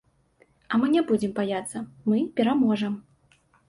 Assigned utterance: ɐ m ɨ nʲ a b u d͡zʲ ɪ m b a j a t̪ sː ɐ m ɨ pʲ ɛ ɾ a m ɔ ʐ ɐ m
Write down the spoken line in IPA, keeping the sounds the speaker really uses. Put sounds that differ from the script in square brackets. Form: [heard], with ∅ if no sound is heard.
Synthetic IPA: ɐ m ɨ nʲ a b u d͡zʲ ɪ m b a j a t̪ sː ɐ m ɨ pʲ ɛ ɾ a m ɔ ʐ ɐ m